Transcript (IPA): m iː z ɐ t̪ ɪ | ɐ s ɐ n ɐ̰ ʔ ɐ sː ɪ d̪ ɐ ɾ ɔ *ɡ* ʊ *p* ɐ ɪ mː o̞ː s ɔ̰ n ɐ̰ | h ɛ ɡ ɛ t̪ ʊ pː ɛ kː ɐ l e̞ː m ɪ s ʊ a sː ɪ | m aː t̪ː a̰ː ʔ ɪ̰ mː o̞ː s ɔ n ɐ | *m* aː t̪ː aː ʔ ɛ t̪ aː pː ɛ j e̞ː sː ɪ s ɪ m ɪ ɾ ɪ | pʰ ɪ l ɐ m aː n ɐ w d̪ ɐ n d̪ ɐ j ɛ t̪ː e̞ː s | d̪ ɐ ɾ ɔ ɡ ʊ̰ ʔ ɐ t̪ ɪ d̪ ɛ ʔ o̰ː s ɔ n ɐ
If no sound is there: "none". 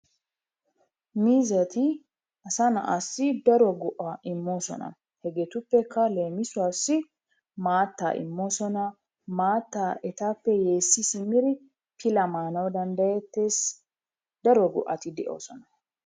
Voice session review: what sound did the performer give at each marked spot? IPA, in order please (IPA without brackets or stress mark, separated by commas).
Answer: ɡ, ʔ, m